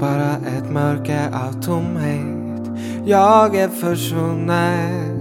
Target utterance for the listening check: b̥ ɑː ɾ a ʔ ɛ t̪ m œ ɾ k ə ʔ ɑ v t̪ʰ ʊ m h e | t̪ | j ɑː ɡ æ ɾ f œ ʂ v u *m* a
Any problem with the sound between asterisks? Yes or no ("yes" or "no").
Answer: yes